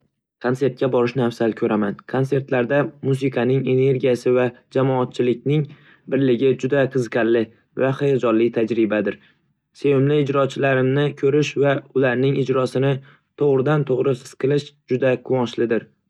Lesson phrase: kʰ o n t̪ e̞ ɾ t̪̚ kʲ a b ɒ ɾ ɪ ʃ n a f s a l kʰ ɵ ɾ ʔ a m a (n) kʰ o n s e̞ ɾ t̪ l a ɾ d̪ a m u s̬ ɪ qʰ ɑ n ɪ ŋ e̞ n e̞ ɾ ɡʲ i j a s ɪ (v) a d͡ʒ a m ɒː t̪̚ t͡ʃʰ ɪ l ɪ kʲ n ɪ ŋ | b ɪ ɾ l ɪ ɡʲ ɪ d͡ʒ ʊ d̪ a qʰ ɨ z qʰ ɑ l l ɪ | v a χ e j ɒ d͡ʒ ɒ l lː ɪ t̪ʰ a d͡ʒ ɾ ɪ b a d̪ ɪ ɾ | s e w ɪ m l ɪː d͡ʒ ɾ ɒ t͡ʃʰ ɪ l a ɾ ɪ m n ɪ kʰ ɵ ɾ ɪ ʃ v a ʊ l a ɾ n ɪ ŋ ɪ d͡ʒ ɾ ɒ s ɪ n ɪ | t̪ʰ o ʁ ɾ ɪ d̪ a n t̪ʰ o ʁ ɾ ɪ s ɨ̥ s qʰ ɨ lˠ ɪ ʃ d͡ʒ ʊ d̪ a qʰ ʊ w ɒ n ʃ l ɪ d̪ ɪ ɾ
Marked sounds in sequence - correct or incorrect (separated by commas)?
correct, correct